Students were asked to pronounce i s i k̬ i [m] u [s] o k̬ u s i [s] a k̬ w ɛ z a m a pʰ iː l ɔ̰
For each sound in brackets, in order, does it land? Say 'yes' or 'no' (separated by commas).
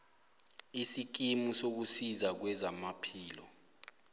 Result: yes, yes, no